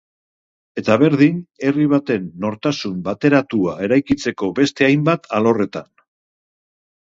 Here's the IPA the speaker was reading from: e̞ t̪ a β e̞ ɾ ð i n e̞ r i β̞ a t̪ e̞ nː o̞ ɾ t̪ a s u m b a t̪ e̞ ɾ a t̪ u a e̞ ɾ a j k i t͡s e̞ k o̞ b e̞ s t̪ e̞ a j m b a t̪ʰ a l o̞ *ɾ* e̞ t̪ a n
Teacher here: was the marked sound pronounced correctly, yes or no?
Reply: no